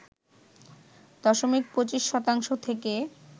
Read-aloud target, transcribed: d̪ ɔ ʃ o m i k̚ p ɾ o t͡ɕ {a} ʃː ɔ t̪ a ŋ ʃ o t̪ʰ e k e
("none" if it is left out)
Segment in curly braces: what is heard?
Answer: i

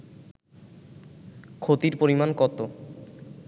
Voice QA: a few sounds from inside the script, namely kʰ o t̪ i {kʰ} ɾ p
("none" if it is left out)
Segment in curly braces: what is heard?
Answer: none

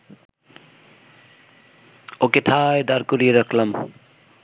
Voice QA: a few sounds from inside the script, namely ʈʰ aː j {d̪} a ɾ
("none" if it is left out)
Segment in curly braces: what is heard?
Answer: d̪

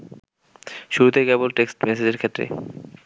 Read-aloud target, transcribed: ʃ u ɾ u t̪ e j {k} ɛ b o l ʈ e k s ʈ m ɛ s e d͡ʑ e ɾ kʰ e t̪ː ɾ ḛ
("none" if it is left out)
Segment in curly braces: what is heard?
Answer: k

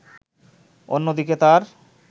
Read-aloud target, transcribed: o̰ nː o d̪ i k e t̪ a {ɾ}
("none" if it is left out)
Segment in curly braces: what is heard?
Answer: ɾ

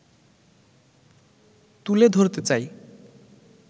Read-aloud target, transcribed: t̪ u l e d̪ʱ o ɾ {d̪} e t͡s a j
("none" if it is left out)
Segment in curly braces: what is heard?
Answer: t̪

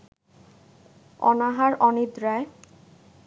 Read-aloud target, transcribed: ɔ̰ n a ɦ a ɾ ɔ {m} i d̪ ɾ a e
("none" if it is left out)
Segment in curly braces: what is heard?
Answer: n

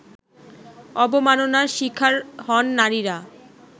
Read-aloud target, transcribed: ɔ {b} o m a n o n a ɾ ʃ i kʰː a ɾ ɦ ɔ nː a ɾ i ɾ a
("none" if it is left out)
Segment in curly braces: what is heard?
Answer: b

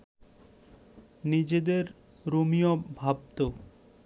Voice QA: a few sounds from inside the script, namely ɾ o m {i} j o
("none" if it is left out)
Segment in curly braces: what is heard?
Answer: i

